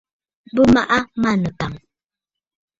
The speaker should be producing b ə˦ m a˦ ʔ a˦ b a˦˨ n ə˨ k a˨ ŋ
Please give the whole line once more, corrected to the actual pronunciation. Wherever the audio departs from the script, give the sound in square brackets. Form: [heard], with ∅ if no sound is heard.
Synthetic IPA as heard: b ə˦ m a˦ ʔ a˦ [m] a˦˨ n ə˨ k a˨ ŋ